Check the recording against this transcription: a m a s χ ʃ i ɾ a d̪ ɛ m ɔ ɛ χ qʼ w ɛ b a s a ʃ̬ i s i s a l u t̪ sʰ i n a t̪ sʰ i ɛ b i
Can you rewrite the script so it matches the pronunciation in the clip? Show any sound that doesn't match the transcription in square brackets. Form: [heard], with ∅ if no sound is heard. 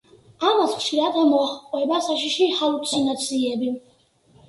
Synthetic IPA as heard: a m a s χ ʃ i ɾ a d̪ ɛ m ɔ [a] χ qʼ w ɛ b a s a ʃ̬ i [ʃ] i [h] a l u t̪ sʰ i n a t̪ sʰ i ɛ b i

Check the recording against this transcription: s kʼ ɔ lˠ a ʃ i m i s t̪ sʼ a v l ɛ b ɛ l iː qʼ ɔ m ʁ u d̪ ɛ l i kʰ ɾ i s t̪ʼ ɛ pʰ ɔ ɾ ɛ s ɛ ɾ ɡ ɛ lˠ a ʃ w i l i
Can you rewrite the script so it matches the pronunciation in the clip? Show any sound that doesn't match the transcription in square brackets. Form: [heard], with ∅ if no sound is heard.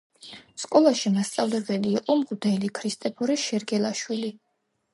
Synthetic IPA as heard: s kʼ ɔ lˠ a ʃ i m [a] s t̪ sʼ a v l ɛ b ɛ l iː qʼ ɔ m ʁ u d̪ ɛ l i kʰ ɾ i s t̪ʼ ɛ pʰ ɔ ɾ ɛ [ʃ] ɛ ɾ ɡ ɛ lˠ a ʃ w i l i

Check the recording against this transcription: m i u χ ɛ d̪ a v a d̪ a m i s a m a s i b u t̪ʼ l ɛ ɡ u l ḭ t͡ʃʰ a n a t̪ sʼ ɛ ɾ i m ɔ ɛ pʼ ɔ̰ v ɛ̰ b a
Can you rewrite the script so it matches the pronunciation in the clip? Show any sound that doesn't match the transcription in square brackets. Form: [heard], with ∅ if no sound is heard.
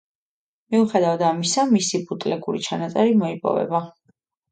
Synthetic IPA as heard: m i u χ ɛ d̪ a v a d̪ a m i s a m [i] s i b u t̪ʼ l ɛ ɡ u [ɾ] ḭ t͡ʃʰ a n a t̪ sʼ ɛ ɾ i m ɔ [i] pʼ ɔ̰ v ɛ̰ b a

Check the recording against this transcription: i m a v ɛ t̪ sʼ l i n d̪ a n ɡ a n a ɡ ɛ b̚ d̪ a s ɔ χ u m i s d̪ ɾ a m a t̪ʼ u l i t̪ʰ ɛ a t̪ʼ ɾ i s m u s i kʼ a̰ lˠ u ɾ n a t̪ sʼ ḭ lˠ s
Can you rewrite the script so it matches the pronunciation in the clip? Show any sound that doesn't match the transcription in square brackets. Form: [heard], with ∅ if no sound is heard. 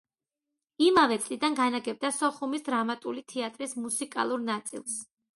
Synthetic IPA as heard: i m a v ɛ t̪ sʼ l i [∅] d̪ a n ɡ a n a ɡ ɛ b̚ d̪ a s ɔ χ u m i s d̪ ɾ a m a t̪ʼ u l i t̪ʰ ɛ a t̪ʼ ɾ i s m u s i kʼ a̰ lˠ u ɾ n a t̪ sʼ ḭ lˠ s

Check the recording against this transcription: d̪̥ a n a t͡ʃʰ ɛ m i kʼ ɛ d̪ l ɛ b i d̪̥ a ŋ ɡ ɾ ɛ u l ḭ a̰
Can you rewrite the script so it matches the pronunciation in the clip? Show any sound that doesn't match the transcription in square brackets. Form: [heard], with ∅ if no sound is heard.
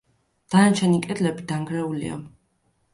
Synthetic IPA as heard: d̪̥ a n a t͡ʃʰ ɛ [n] i kʼ ɛ d̪ l ɛ b i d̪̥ a ŋ ɡ ɾ ɛ u l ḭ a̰

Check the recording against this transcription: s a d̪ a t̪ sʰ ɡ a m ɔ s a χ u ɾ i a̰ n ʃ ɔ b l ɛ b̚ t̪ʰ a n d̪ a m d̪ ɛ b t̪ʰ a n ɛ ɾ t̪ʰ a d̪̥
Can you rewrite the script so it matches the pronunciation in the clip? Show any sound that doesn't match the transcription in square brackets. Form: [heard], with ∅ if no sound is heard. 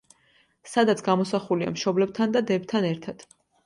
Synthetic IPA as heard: s a d̪ a t̪ sʰ ɡ a m ɔ s a χ u [l] i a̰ [m] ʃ ɔ b l ɛ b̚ t̪ʰ a n d̪ a [∅] d̪ ɛ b t̪ʰ a n ɛ ɾ t̪ʰ a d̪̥

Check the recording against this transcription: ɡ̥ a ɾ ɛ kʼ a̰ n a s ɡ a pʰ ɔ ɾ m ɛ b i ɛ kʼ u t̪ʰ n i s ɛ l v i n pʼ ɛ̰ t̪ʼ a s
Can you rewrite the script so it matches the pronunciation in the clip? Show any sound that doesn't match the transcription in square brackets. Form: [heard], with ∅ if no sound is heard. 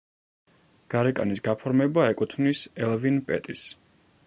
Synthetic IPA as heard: ɡ̥ a ɾ ɛ kʼ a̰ n [i] s ɡ a pʰ ɔ ɾ m ɛ b [a] ɛ kʼ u t̪ʰ n i s ɛ l v i n pʼ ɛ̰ t̪ʼ [i] s

